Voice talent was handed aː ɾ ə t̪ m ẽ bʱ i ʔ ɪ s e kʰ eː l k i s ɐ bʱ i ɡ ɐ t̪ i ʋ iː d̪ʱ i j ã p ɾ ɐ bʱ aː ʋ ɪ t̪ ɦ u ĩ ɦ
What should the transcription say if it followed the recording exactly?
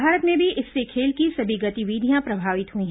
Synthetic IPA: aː ɾ ə t̪ m ẽ bʱ i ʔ ɪ sː e kʰ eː l k i s ɐ bʱ i ɡ ɐ t̪ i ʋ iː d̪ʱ i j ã p ɾ ɐ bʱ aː ʋ ɪ t̪ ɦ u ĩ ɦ